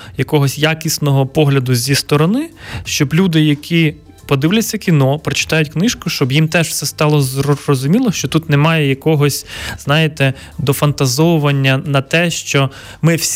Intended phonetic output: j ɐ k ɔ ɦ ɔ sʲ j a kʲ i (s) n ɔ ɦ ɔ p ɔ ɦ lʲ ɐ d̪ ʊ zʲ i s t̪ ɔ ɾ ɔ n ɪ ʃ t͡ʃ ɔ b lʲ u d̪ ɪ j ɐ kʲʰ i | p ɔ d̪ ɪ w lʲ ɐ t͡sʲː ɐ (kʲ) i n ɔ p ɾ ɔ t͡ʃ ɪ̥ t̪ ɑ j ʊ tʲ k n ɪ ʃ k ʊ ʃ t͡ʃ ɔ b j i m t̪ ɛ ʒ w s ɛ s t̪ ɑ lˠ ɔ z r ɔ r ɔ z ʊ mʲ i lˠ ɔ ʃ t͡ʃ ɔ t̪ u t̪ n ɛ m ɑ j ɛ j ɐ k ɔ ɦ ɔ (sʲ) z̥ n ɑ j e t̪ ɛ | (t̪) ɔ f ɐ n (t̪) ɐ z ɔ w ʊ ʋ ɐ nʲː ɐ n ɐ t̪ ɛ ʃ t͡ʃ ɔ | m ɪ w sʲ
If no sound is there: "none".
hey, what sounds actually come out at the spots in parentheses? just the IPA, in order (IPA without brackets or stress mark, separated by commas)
s, kʲ, sʲ, d̪, t̪